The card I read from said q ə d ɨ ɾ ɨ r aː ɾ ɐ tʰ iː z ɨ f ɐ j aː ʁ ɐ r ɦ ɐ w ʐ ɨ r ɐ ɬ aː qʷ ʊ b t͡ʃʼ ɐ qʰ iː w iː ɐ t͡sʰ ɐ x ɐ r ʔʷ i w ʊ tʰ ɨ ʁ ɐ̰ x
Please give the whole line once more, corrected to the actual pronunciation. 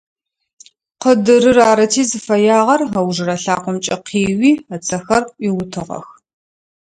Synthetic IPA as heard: q ə d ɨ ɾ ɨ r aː ɾ ɐ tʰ iː z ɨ f ɐ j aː ʁ ɐ r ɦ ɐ w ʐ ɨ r ɐ ɬ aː qʷ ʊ m t͡ʃʼ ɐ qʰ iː w iː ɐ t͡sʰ ɐ x ɐ r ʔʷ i w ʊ tʰ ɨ ʁ ɐ̰ x